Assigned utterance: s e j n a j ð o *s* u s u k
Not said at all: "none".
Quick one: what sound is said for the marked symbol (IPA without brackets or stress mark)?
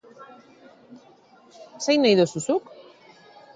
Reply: s